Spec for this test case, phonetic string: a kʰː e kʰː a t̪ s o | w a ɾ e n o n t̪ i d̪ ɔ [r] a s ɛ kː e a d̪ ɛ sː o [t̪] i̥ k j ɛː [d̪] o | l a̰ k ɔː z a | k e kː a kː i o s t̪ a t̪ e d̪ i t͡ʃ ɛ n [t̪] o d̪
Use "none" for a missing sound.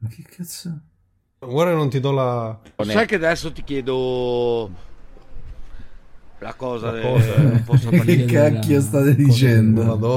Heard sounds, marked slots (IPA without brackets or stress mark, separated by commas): l, t̪, d̪, d̪